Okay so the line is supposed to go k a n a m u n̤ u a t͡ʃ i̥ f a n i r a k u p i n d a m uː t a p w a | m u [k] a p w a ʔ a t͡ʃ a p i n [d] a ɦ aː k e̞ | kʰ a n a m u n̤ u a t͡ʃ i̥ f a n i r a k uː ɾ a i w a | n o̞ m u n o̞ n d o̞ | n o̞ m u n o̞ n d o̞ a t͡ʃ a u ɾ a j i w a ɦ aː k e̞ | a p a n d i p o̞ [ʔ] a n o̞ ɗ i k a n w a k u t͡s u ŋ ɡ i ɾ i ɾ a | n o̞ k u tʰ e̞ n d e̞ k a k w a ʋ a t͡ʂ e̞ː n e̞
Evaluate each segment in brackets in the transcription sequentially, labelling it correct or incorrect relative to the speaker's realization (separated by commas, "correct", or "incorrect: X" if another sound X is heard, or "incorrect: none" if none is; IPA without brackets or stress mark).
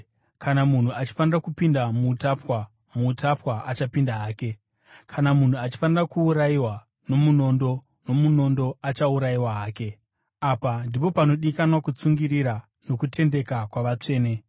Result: incorrect: t, correct, incorrect: p